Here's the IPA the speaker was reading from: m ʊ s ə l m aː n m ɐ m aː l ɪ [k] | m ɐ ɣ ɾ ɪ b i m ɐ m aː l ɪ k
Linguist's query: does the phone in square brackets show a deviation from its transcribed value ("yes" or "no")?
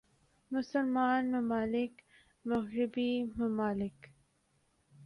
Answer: no